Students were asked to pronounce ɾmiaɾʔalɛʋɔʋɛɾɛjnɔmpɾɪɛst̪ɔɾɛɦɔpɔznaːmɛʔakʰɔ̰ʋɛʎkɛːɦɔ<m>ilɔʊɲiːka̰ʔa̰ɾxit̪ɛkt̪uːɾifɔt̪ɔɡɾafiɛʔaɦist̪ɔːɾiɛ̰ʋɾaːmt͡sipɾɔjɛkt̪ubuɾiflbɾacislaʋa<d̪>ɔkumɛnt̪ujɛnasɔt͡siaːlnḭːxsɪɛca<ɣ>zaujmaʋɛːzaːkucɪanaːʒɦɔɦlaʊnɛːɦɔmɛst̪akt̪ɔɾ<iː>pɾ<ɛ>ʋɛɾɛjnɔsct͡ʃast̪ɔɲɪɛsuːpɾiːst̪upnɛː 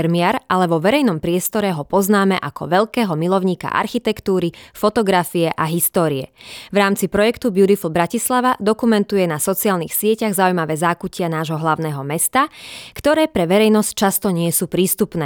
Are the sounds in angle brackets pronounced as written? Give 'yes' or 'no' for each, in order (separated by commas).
yes, yes, yes, no, yes